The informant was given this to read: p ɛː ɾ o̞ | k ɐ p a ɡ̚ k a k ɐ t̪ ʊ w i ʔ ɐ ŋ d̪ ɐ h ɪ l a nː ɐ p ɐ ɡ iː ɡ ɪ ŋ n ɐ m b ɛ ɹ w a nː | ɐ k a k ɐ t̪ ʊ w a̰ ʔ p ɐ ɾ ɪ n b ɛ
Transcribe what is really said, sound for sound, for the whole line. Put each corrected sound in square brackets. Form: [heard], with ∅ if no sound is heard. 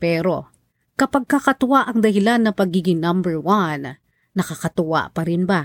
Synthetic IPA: p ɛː ɾ o̞ | k ɐ p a ɡ̚ k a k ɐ t̪ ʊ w [a] ʔ ɐ ŋ d̪ ɐ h ɪ l a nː ɐ p ɐ ɡ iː ɡ ɪ ŋ n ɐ m b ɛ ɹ w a nː | ɐ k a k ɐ t̪ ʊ w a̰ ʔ p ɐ ɾ ɪ n b [a]